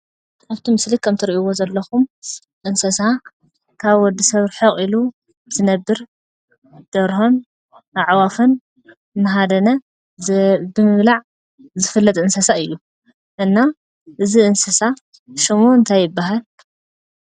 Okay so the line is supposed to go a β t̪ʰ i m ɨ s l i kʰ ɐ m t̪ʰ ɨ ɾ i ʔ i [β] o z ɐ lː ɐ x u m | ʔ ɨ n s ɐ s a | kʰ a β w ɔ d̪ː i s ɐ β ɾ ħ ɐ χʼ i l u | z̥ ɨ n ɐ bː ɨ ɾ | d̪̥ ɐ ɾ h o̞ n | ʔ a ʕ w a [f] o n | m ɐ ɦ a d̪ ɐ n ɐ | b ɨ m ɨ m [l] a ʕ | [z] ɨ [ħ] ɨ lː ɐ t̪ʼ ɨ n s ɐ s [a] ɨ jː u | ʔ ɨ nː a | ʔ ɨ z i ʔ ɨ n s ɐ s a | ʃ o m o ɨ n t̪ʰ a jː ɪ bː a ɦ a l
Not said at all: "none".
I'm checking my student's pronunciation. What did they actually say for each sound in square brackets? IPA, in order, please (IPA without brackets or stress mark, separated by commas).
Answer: w, f, l, z, f, a